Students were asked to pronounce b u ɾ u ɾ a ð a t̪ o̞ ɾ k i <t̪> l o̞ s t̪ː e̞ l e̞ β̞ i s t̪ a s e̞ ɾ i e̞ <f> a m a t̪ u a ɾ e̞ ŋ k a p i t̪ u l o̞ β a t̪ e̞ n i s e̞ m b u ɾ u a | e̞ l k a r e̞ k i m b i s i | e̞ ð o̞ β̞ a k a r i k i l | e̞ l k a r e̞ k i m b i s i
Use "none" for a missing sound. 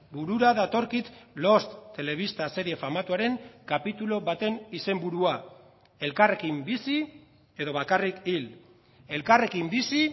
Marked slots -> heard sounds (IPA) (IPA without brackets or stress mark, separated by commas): t̪, f